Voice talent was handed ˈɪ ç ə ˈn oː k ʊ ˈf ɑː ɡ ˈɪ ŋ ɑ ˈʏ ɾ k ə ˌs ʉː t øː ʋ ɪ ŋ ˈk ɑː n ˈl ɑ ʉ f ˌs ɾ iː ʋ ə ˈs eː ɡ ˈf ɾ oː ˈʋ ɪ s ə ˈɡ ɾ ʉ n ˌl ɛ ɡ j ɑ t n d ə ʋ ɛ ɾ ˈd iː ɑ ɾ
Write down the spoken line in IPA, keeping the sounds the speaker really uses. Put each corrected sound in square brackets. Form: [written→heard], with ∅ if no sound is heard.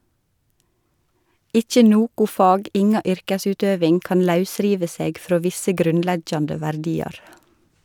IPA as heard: ˈɪ ç ə ˈn oː k ʊ ˈf ɑː ɡ ˈɪ ŋ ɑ ˈʏ ɾ k ə ˌs ʉː t øː ʋ ɪ ŋ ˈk ɑː n ˈl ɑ ʉ [f→∅] ˌs ɾ iː ʋ ə ˈs eː ɡ ˈf ɾ oː ˈʋ ɪ s ə ˈɡ ɾ ʉ n ˌl ɛ ɡ j ɑ [t→∅] n d ə ʋ [ɛ→æ] ɾ ˈd iː ɑ ɾ